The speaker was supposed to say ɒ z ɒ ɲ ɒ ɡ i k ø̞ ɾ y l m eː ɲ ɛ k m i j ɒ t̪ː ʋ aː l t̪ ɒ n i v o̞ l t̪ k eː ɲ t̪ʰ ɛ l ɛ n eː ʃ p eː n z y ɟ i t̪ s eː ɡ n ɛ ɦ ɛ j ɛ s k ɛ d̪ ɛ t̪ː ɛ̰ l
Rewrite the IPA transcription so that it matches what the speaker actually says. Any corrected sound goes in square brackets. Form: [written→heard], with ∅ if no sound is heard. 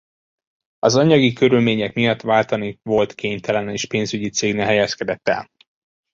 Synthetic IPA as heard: ɒ z ɒ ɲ ɒ ɡ i k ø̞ ɾ y l m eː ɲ ɛ k m i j ɒ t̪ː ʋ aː l t̪ ɒ n i v o̞ l t̪ k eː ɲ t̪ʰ ɛ l ɛ n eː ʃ p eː n z y ɟ i t̪ s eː ɡ n ɛ ɦ ɛ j ɛ s k ɛ d̪ ɛ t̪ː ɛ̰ l